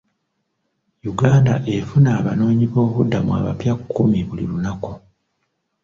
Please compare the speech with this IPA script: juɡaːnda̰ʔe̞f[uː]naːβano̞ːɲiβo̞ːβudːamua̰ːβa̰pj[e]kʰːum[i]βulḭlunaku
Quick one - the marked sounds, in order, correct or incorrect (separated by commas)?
incorrect, incorrect, correct